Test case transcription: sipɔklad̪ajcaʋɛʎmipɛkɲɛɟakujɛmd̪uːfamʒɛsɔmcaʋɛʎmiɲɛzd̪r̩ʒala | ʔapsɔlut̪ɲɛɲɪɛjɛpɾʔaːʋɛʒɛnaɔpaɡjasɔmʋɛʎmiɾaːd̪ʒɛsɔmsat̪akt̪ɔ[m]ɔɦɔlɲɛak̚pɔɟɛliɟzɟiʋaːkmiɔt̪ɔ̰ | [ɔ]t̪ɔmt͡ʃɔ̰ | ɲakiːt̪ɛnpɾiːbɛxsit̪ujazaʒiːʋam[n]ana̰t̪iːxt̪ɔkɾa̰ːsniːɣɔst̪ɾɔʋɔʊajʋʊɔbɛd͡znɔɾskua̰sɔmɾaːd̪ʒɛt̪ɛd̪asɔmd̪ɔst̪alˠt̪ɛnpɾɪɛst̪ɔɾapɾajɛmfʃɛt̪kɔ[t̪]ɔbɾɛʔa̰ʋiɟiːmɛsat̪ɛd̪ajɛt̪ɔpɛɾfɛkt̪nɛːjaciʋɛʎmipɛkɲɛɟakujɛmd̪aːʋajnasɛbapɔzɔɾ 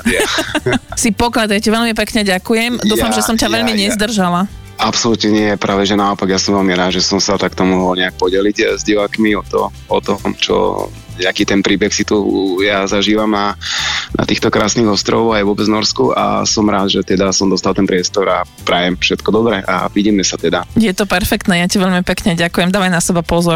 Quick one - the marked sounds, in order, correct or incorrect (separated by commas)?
correct, correct, correct, incorrect